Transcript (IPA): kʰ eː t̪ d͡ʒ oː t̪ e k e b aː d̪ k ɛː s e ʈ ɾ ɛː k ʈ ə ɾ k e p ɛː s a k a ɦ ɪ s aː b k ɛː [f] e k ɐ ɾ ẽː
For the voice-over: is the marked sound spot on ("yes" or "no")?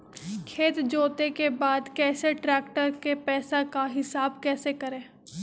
no